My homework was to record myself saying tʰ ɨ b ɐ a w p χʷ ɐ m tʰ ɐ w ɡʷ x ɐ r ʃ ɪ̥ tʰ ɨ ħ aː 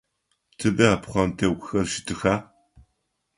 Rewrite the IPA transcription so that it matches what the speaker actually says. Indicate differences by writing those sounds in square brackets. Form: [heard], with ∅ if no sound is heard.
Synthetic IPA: tʰ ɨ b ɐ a [∅] p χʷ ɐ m tʰ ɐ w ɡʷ x ɐ r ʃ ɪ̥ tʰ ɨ [x] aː